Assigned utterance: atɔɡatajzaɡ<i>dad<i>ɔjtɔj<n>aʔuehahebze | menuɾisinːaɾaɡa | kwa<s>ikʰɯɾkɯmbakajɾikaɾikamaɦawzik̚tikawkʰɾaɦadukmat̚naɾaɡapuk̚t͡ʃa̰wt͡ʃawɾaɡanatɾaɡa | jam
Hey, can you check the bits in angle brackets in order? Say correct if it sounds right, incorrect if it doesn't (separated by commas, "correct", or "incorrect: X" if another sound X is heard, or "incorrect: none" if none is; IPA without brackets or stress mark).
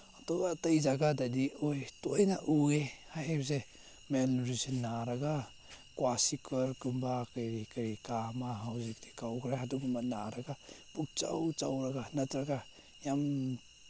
incorrect: a, correct, correct, correct